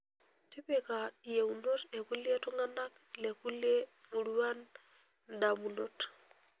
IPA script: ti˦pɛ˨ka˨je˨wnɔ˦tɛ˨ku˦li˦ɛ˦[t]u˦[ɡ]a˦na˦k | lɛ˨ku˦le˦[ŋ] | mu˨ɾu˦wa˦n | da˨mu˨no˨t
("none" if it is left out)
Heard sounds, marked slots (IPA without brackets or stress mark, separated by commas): t, ŋ, none